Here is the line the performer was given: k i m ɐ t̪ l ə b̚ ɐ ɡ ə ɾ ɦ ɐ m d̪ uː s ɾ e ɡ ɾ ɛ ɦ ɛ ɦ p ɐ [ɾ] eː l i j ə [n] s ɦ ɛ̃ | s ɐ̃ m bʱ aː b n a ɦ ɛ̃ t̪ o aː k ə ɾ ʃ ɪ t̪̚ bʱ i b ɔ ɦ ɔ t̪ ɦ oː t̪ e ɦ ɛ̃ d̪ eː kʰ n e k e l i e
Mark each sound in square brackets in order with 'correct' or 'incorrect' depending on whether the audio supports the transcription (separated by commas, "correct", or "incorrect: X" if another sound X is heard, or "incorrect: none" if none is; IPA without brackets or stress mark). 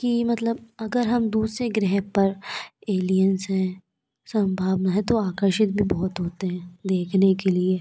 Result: correct, correct